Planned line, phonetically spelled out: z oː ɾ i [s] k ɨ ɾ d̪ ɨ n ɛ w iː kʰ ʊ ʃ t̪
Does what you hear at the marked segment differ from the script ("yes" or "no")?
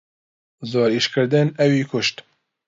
yes